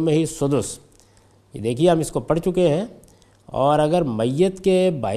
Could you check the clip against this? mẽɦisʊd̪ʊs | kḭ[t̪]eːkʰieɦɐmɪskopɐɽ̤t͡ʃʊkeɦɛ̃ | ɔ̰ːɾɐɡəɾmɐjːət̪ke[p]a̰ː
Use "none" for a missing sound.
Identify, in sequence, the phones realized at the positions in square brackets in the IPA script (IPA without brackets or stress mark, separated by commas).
d̪, b